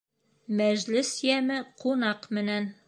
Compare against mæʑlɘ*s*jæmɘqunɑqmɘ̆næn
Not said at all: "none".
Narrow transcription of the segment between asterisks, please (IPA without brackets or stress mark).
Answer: s